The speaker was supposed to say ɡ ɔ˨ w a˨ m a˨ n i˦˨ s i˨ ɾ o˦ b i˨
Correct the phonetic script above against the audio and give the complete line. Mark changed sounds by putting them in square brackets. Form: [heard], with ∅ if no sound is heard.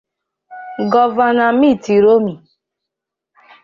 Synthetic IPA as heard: ɡ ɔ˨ [v] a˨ [n] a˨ [m] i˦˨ [t] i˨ ɾ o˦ [m] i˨